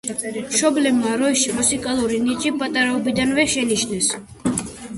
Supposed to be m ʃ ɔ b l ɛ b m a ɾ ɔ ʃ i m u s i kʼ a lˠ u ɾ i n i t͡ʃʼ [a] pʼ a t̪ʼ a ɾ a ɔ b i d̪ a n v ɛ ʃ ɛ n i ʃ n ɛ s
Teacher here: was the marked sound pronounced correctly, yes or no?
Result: no